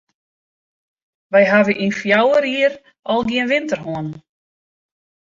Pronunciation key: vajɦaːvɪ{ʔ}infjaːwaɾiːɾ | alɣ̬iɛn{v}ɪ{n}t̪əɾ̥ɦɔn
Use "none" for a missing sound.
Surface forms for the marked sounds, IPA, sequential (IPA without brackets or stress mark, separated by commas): ʔ, v, n